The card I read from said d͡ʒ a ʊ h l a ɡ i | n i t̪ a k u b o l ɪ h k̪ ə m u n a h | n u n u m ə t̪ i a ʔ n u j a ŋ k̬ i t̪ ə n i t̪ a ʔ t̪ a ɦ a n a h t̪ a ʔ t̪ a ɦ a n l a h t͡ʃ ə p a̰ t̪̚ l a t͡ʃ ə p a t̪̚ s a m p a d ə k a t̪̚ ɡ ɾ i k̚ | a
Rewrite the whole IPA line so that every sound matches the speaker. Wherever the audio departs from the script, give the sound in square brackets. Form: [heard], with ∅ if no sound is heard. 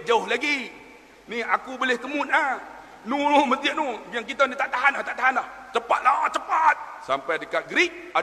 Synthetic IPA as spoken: d͡ʒ a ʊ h l a ɡ i | n i [∅] a k u b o l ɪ h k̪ ə m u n a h | n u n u m ə t̪ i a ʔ n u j a ŋ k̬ i t̪ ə n i t̪ a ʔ t̪ a ɦ a n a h t̪ a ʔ t̪ a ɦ a n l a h t͡ʃ ə p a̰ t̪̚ l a t͡ʃ ə p a t̪̚ s a m p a d ə k a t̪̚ ɡ ɾ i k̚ | a